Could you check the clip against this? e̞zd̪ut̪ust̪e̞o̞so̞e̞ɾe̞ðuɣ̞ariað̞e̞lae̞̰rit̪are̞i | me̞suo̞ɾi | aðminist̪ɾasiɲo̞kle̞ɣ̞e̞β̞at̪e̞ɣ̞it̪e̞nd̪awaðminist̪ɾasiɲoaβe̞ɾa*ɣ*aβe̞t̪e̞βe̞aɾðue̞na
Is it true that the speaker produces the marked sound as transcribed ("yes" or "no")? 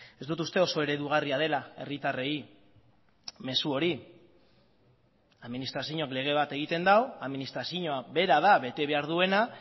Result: no